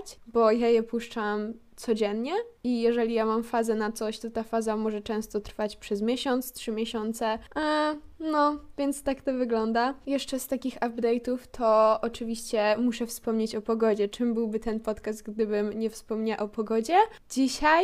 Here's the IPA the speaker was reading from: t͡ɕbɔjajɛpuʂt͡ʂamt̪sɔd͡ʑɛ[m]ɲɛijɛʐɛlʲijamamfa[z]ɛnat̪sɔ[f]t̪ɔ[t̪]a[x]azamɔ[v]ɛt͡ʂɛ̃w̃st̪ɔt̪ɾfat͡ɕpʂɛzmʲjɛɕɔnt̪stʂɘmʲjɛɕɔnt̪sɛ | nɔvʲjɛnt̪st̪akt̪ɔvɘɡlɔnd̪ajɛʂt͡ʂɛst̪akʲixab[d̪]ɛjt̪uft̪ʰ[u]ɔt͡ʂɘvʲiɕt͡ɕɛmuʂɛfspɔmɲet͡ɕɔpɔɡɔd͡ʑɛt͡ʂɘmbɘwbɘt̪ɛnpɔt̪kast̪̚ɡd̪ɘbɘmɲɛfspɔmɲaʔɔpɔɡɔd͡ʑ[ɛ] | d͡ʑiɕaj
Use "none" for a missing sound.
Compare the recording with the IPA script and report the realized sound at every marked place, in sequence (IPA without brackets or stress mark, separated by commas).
n, z, ɕ, t̪, f, ʐ, d̪, ɔ, ɛ